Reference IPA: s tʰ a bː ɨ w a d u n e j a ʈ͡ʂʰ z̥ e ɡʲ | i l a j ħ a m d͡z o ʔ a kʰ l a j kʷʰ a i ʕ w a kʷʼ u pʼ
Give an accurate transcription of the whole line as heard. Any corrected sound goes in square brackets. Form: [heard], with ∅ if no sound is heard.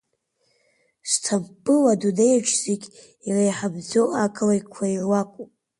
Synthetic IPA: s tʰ a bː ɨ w a d u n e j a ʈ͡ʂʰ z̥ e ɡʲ | i [r] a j ħ a [b] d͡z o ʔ a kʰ l a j kʷʰ a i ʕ w a kʷʼ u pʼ